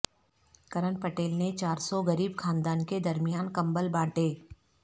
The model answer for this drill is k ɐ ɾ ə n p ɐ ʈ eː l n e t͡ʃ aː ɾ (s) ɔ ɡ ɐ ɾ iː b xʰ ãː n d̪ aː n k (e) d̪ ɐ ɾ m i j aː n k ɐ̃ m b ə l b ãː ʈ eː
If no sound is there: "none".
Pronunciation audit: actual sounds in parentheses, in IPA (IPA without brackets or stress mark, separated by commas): s, e